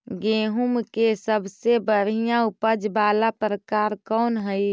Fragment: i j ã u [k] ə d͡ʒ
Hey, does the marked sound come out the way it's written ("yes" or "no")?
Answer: no